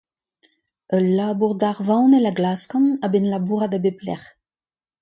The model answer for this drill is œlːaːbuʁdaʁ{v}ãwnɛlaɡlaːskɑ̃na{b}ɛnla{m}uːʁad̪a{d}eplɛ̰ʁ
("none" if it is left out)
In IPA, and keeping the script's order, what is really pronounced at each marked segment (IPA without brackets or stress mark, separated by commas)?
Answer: v, b, b, b